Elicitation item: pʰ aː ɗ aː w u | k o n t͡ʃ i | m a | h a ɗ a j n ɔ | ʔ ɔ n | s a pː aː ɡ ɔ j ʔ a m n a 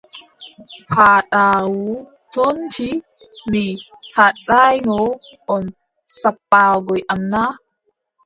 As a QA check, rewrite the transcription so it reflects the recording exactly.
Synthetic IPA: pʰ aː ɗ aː w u | t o n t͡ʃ i | m i | h a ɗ a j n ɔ | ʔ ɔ n | s a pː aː ɡ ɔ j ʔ a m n a